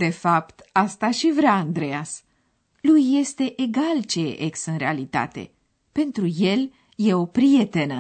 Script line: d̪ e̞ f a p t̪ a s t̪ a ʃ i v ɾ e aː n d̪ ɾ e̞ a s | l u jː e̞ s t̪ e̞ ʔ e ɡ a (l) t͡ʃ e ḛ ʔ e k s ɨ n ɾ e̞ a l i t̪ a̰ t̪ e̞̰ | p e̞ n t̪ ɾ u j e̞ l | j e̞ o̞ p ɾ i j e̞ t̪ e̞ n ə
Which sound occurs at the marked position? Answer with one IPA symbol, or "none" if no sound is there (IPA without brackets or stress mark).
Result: l